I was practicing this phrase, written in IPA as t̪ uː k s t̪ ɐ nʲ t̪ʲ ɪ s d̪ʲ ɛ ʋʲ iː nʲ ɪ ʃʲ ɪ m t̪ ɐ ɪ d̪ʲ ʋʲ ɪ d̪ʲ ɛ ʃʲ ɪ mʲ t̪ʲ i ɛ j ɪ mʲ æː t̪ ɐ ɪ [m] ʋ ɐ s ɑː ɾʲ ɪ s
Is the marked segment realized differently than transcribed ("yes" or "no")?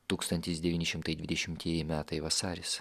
yes